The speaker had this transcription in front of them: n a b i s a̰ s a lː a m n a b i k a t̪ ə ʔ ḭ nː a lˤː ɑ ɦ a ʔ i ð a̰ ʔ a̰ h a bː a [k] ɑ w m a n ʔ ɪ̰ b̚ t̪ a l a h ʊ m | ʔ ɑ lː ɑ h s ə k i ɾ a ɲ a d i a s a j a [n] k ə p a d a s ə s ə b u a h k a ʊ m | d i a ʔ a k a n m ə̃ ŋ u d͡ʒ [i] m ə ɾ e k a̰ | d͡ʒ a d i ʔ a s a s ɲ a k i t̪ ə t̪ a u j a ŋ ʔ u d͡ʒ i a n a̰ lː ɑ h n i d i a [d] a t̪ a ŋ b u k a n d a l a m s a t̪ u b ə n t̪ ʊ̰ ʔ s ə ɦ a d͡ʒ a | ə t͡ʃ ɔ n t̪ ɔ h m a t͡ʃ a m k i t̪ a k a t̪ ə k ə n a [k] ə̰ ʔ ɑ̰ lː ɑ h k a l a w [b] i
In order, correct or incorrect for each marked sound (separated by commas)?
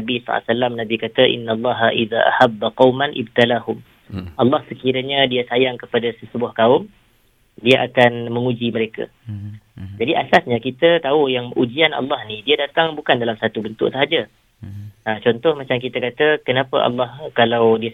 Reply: incorrect, incorrect, correct, correct, incorrect, incorrect